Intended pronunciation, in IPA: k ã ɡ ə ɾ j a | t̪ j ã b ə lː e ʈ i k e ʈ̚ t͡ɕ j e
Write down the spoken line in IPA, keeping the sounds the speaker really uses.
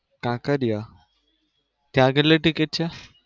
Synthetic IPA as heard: k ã k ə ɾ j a | t̪ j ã ɡ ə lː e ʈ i k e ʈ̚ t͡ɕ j a